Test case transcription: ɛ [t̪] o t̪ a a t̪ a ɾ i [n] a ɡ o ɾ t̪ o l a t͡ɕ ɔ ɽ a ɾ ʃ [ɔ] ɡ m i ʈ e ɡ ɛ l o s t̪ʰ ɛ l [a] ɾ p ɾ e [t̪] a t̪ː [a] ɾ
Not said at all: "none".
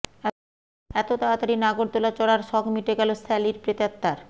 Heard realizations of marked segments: t̪, n, ɔ, i, t̪, a

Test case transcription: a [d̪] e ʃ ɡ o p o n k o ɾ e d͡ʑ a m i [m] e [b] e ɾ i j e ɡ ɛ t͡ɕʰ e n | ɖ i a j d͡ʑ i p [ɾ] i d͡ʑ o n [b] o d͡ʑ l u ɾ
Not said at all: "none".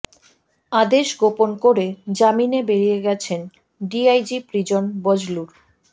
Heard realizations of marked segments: d̪, n, b, ɾ, b

